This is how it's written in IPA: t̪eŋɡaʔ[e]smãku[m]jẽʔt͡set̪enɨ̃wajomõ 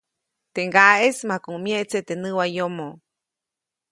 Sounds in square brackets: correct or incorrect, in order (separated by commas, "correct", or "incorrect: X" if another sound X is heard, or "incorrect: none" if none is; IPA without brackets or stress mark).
correct, correct